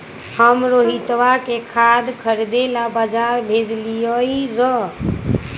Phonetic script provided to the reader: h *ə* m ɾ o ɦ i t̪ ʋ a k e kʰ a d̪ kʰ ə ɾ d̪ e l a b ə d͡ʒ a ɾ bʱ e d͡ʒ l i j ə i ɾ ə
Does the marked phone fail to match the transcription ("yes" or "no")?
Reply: no